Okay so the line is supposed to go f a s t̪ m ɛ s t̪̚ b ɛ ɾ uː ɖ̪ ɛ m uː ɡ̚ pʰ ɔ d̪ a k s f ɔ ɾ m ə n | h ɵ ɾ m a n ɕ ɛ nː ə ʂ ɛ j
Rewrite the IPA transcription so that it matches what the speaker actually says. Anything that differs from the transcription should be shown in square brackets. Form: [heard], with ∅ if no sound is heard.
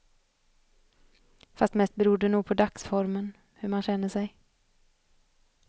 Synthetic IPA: f a s t̪ m ɛ s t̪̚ b ɛ ɾ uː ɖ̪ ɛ [n] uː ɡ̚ pʰ ɔ d̪ a k s f ɔ ɾ m ə n | h ɵ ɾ m a n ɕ ɛ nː ə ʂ ɛ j